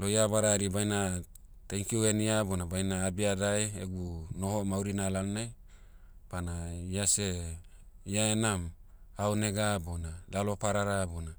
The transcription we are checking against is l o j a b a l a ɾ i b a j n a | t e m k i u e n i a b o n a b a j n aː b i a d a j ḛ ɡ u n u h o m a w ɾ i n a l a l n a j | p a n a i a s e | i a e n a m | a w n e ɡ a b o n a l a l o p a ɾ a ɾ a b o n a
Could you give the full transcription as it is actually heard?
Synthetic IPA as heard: l o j a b a ɾ a ɾ i b a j n a | t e ŋ k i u e n i a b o n a b a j n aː b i a d a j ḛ ɡ u n o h o m a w ɾ i n a l a l n a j | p a n a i a s e | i a e n a m | a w n e ɡ a b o n a l a l o p a ɾ a ɾ a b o n a